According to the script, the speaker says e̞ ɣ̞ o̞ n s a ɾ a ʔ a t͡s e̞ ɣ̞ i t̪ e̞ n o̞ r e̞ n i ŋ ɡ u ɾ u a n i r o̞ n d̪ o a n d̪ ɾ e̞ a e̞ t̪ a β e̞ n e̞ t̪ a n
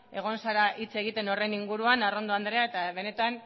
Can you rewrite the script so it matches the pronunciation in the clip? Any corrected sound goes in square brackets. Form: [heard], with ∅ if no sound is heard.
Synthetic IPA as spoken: e̞ ɣ̞ o̞ n s a ɾ a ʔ [i] t͡s e̞ ɣ̞ i t̪ e̞ n o̞ r e̞ n i ŋ ɡ u ɾ u a n [a] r o̞ n d̪ o a n d̪ ɾ e̞ a e̞ t̪ a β e̞ n e̞ t̪ a n